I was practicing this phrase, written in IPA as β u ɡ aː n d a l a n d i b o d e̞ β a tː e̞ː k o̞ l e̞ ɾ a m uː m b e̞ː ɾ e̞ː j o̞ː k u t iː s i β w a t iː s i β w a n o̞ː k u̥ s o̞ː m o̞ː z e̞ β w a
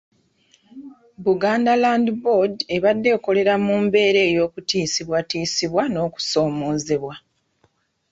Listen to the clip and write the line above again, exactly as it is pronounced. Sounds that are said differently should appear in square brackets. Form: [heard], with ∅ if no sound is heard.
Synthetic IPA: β u ɡ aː n d a l a n d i b o d e̞ β a [dː] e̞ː k o̞ l e̞ ɾ a m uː m b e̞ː ɾ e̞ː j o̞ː k u t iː s i β w a t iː s i β w a n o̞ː k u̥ s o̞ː m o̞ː z e̞ β w a